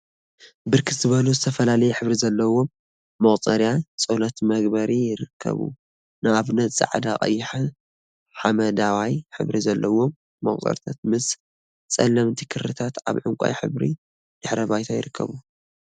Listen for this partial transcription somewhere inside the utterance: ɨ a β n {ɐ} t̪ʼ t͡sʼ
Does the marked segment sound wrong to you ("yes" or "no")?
no